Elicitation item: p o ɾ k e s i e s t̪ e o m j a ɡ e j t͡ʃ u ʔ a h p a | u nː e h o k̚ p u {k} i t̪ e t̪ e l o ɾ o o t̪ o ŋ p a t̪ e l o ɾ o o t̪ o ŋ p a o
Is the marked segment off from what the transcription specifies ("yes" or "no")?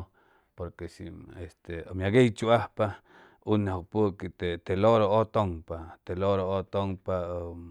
no